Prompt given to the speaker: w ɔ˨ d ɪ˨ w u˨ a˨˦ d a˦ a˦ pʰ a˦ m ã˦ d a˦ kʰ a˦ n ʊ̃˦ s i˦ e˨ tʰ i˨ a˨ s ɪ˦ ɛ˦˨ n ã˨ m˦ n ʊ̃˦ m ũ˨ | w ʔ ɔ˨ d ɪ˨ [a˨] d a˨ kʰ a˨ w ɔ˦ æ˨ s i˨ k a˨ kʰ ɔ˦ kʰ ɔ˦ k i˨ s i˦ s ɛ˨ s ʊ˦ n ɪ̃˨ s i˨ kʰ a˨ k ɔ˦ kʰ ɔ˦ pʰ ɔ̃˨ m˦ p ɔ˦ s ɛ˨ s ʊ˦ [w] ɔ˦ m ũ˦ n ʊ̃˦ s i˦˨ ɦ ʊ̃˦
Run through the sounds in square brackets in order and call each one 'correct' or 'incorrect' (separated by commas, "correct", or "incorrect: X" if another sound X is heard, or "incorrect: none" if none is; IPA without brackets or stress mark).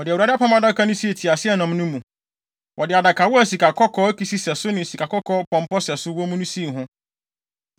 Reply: correct, correct